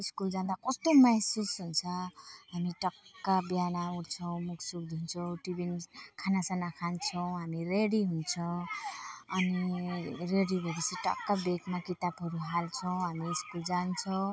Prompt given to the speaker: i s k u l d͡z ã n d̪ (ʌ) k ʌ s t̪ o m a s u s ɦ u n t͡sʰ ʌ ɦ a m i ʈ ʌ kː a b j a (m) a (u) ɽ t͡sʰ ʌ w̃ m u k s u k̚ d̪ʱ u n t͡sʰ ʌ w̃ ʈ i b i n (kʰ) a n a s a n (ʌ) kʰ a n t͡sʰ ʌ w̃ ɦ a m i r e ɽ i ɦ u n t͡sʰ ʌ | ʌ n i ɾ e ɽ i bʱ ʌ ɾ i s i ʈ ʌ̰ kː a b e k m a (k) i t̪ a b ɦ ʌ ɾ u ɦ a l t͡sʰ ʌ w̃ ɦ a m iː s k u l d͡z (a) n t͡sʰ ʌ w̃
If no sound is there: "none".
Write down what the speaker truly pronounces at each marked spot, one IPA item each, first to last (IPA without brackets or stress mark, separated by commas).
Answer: a, n, u, kʰ, a, k, a